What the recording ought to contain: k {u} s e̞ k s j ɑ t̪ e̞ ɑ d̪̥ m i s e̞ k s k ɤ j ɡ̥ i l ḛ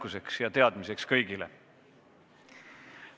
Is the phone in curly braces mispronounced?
no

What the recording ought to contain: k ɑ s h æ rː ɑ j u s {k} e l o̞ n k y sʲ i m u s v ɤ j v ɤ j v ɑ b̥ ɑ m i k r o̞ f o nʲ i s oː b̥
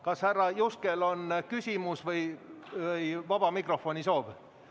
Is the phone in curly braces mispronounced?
no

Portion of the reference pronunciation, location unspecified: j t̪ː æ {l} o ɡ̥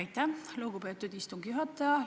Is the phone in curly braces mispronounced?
no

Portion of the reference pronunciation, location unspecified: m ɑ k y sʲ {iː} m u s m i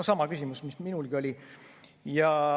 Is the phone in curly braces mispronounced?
yes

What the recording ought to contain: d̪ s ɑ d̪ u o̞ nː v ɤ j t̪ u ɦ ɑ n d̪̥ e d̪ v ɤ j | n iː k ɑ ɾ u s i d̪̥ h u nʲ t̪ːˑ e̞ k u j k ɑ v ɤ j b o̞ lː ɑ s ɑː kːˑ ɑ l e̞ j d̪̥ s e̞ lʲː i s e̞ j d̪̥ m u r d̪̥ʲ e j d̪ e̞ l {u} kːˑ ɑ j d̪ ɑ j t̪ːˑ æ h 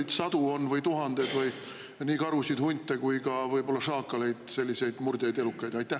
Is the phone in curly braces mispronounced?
no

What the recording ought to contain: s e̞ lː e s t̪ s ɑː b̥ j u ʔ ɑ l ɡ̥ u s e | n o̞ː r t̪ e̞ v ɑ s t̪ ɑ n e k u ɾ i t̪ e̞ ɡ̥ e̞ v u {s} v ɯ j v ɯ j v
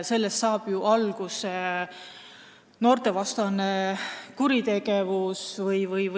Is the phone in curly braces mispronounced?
no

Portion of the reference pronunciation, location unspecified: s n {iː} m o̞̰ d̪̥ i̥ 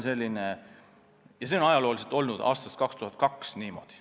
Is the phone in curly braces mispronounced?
no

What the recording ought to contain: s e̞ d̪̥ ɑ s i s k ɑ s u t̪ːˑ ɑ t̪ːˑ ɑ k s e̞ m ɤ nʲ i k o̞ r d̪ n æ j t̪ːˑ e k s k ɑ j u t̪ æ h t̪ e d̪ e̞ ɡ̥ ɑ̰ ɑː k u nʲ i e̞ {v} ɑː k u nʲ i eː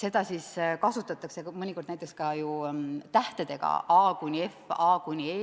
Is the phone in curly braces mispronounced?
yes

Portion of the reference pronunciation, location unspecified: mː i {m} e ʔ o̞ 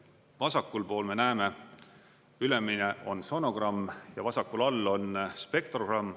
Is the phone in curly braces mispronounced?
yes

